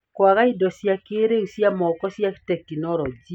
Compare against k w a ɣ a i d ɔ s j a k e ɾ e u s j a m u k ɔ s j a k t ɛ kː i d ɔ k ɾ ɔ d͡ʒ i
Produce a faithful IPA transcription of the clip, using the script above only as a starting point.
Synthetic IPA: k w a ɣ a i d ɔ s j a k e ɾ e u s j a m ɔ k ɔ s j a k t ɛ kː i n ɔ ɾ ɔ d͡ʒ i